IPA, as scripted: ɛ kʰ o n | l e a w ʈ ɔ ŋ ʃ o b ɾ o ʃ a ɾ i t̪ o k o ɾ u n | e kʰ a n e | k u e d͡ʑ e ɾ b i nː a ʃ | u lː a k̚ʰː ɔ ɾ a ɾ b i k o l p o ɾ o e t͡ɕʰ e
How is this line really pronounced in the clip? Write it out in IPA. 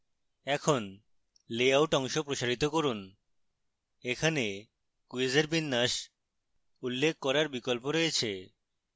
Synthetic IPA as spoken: ɛ kʰ o n | l e a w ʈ ɔ ŋ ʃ o p ɾ o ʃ a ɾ i t̪ o k o ɾ u n | e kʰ a n e | k u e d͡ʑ e ɾ b i nː a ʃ | u lː e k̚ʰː ɔ ɾ a ɾ b i k o l p o ɾ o e t͡ɕʰ e